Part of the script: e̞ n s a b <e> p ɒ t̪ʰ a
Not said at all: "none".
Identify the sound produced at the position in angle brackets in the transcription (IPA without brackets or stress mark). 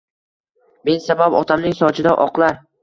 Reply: a